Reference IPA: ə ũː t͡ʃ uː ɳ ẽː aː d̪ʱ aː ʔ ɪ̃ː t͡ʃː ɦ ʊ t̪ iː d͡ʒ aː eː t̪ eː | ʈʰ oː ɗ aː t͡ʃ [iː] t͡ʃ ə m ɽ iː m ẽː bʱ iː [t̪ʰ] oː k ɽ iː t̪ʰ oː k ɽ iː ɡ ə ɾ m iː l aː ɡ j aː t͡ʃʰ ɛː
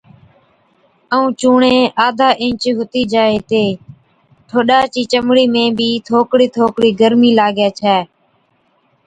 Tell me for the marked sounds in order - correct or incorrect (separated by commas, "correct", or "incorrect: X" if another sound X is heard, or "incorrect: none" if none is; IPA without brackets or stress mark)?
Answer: correct, correct